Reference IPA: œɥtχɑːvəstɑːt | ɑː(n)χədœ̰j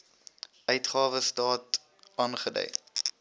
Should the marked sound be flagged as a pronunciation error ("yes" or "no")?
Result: no